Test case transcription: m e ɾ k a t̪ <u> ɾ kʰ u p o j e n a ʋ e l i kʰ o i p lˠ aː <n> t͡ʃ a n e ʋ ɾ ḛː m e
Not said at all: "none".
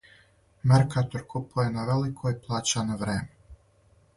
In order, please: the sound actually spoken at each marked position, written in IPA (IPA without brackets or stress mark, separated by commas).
o, none